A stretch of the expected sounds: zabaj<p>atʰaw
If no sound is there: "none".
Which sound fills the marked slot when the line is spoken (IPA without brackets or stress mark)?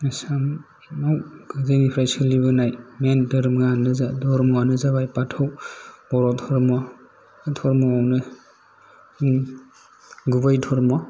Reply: p